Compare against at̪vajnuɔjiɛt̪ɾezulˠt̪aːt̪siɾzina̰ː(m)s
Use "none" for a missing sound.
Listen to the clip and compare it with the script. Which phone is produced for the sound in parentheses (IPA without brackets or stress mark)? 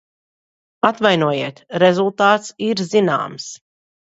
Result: m